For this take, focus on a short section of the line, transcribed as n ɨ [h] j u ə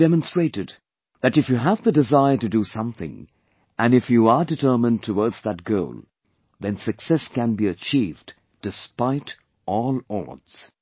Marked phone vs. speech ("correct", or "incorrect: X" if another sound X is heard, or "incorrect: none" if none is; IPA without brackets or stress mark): incorrect: f